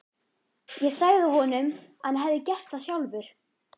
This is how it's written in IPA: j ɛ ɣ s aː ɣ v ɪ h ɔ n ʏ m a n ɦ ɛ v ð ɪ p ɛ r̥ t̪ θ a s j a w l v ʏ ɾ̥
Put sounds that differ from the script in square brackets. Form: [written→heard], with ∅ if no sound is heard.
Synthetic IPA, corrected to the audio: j ɛ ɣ s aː ɣ [v→ð] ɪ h ɔ n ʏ m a n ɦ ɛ v ð ɪ [p→c] ɛ r̥ t̪ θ a s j a w l v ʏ ɾ̥